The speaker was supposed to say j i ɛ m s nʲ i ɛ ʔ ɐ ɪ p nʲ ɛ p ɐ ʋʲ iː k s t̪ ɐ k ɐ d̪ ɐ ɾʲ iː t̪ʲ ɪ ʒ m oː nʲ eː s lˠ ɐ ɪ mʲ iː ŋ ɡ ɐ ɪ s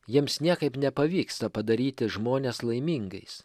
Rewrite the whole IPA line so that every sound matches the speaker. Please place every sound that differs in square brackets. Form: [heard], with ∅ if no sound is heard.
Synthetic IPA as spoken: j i ɛ m s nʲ i ɛ [k] ɐ ɪ p nʲ ɛ p ɐ ʋʲ iː k s t̪ ɐ [p] ɐ d̪ ɐ ɾʲ iː t̪ʲ ɪ ʒ m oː nʲ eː s lˠ ɐ ɪ mʲ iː ŋ ɡ ɐ ɪ s